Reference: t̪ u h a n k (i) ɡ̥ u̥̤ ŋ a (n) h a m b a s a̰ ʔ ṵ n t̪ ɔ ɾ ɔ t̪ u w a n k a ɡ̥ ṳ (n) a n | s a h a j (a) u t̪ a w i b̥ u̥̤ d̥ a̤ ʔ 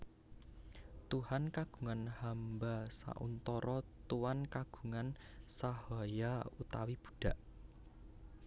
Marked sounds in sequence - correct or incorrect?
incorrect: a, correct, incorrect: ŋ, correct

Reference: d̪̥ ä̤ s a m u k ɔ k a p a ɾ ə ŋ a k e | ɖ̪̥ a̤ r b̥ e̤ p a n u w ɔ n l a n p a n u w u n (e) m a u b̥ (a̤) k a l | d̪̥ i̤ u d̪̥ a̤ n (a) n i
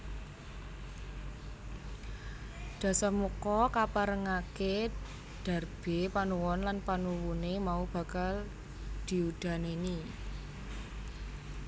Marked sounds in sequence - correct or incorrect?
correct, correct, incorrect: e

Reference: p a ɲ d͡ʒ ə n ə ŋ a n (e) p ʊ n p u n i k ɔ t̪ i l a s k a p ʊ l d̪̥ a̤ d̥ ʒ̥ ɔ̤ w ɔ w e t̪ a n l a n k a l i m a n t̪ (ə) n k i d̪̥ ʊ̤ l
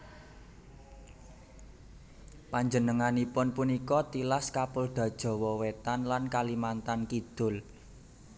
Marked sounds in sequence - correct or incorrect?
incorrect: i, incorrect: a

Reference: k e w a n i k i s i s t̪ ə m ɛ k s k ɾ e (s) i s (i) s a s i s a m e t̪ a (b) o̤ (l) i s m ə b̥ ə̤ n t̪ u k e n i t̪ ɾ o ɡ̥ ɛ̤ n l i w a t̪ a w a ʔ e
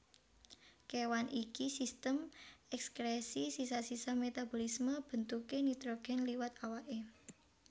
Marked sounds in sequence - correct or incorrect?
correct, correct, correct, correct

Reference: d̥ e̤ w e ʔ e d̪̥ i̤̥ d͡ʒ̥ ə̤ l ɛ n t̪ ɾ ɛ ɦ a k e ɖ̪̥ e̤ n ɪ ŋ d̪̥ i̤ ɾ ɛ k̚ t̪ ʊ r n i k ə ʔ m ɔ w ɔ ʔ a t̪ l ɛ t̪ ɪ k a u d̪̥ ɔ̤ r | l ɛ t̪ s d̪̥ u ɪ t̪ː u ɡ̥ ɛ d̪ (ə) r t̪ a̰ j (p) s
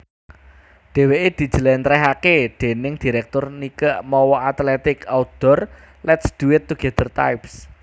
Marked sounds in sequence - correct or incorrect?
correct, correct

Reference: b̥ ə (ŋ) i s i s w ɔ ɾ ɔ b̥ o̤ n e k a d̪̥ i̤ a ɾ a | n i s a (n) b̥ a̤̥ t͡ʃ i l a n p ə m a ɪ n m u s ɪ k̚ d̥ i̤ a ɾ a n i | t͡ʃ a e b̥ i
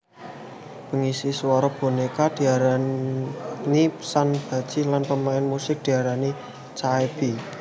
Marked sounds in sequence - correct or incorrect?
correct, correct

